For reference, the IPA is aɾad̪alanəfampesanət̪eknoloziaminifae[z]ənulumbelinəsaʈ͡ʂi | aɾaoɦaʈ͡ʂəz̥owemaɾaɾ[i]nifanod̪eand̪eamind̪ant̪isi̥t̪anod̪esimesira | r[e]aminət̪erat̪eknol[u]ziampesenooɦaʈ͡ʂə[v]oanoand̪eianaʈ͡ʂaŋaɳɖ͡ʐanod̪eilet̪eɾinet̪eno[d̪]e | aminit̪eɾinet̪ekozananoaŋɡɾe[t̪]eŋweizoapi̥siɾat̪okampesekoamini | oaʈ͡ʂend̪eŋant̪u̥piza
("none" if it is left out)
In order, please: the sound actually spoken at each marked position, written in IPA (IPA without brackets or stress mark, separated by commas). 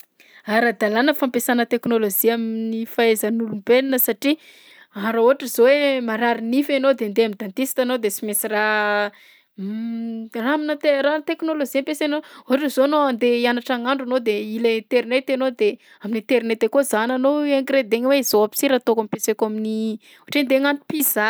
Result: z, i, a, o, z, d̪, d̪